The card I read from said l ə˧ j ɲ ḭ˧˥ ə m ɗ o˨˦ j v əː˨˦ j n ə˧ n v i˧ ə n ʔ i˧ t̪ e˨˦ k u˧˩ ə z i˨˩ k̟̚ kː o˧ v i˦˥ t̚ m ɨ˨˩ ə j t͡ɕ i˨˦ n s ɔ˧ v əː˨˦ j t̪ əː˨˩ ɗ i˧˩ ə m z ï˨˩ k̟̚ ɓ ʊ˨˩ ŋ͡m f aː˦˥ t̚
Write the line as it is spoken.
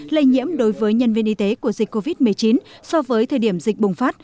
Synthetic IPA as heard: l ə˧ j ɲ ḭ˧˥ ə m ɗ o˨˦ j v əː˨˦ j ɲ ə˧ n v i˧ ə n ʔ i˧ t̪ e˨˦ k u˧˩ ə z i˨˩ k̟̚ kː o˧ v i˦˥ t̚ m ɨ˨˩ ə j t͡ɕ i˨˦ n s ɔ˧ v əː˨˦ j t̪ʰ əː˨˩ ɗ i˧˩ ə m z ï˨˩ k̟̚ ɓ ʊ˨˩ ŋ͡m f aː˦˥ t̚